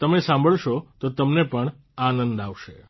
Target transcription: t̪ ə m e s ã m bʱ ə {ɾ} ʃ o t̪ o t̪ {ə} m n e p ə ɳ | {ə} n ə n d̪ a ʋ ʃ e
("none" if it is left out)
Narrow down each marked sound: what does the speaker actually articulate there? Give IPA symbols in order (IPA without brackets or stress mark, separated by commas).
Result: ɭ, ə, a